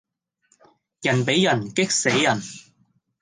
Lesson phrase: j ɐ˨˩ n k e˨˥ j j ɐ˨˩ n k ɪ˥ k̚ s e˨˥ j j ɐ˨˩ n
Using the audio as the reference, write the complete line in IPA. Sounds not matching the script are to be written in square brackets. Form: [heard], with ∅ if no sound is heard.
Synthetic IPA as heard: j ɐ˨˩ n [p] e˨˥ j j ɐ˨˩ n k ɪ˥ k̚ s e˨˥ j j ɐ˨˩ n